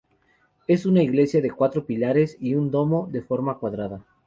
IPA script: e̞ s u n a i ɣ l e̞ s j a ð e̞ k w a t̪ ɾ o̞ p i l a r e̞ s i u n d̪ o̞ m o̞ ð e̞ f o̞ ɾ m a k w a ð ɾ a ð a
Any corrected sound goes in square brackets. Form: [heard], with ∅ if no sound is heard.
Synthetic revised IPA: e̞ s u n a i ɣ l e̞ s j a ð e̞ k w a t̪ ɾ o̞ p i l a [ɾ] e̞ s i u n d̪ o̞ m o̞ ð e̞ f o̞ ɾ m a k w a ð ɾ a ð a